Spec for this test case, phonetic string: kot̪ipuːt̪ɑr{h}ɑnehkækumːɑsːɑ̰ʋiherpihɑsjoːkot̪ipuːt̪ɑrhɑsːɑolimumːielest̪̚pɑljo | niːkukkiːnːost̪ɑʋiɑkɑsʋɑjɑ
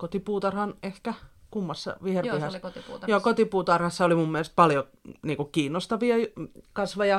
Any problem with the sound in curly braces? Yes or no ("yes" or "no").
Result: no